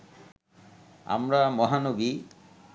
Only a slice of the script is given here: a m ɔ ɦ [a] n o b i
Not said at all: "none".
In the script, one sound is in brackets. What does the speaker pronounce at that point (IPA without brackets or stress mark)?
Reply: a